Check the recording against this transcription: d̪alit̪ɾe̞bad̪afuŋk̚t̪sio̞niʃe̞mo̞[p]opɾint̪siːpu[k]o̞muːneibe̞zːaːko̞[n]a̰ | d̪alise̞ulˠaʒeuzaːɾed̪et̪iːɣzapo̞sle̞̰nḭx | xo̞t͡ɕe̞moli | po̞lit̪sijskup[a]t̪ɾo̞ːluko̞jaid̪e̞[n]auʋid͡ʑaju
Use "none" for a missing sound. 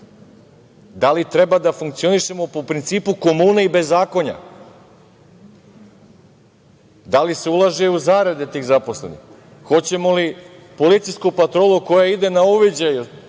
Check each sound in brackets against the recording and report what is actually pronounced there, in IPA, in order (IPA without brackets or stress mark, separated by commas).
p, k, ɲ, a, n